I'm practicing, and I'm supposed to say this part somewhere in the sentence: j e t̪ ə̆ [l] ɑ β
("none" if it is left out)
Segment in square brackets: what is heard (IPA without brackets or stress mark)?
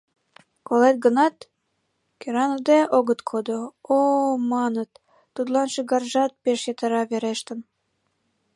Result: ɾ